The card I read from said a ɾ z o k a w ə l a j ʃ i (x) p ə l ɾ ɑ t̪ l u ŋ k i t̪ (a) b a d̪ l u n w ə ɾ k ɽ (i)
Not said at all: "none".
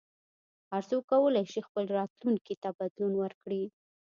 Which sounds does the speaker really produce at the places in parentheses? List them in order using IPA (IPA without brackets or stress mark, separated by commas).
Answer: x, a, i